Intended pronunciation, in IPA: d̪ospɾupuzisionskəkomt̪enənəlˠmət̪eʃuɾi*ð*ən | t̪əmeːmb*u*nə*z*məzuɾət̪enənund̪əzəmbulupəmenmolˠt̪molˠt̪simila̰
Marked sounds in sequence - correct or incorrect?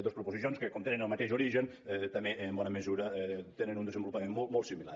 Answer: incorrect: ʒ, incorrect: ɔ, incorrect: none

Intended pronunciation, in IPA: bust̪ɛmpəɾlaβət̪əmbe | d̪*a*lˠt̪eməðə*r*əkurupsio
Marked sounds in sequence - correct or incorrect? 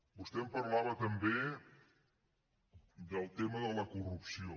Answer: incorrect: ə, incorrect: l

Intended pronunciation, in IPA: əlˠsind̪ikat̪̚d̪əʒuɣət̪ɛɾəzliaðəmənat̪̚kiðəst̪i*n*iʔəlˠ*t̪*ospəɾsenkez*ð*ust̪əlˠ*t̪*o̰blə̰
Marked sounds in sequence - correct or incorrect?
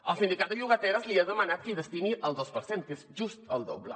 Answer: correct, incorrect: d̪, incorrect: ʒ, incorrect: d̪

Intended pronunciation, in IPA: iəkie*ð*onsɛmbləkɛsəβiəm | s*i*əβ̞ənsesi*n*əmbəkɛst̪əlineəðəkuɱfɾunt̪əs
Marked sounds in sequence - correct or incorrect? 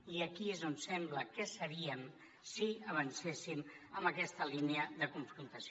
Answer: incorrect: z, correct, incorrect: m

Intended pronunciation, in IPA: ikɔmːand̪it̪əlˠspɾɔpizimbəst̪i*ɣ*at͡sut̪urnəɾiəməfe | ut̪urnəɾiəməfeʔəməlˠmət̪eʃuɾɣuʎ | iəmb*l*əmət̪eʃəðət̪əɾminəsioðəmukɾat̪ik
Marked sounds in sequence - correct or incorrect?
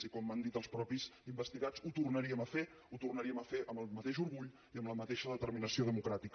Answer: correct, correct

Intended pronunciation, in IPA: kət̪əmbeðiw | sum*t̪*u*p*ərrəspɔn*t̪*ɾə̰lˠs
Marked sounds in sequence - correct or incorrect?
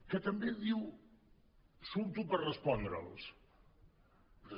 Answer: correct, correct, incorrect: d̪

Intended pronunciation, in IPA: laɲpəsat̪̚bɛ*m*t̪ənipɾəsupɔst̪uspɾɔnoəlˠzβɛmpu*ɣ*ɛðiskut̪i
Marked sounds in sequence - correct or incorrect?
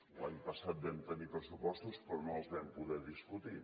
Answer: correct, incorrect: ð

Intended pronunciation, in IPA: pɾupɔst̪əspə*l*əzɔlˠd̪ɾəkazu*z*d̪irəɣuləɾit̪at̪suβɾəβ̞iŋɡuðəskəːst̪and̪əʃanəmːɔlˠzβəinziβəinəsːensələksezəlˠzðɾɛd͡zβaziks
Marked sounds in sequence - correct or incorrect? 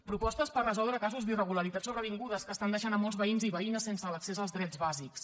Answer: incorrect: r, correct

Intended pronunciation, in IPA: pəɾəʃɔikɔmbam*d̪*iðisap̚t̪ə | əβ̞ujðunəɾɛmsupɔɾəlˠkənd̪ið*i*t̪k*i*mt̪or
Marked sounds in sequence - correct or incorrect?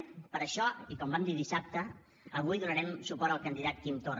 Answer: correct, incorrect: a, correct

